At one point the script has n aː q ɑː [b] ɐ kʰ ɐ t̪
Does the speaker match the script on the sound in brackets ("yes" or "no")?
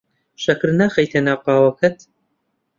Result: no